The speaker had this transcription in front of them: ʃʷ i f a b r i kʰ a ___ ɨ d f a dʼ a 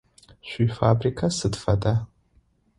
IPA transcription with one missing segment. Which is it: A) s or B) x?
A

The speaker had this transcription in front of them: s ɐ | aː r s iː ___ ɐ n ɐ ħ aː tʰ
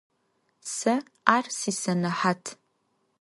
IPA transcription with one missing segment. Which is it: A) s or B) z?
A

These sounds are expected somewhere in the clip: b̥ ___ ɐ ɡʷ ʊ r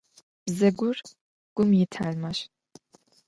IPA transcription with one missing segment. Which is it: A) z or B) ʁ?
A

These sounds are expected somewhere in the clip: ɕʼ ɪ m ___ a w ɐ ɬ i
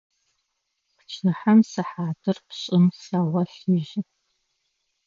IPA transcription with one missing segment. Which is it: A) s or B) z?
A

